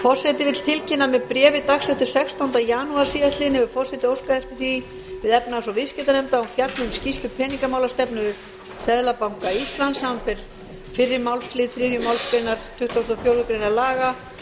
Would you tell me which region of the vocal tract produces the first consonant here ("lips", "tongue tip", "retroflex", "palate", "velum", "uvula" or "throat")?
lips